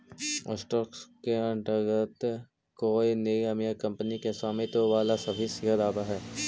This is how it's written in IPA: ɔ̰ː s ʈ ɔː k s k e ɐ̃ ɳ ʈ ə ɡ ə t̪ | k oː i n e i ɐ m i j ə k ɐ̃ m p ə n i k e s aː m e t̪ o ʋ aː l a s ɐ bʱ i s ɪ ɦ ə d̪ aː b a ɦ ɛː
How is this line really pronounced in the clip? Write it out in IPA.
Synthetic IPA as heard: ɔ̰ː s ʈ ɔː k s k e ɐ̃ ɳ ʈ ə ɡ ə t̪ | k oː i n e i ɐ m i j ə k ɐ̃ m p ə n i k e s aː m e t̪ o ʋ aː l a s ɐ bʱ i s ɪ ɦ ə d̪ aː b a ɦ ɛː